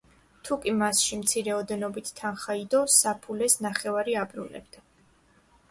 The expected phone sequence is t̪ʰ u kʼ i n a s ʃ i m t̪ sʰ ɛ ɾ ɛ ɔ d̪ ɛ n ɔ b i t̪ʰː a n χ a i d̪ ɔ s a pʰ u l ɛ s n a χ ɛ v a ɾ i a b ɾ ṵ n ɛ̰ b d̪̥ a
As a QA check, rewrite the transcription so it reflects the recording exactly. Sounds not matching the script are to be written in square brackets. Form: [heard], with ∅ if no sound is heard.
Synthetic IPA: t̪ʰ u kʼ i [m] a s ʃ i m t̪ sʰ [i] ɾ ɛ ɔ d̪ ɛ n ɔ b i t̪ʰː a n χ a i d̪ ɔ s a pʰ u l ɛ s n a χ ɛ v a ɾ i a b ɾ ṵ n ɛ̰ b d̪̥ a